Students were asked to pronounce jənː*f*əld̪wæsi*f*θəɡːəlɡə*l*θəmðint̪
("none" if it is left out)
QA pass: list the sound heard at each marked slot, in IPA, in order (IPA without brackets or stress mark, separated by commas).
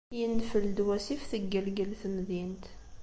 f, f, l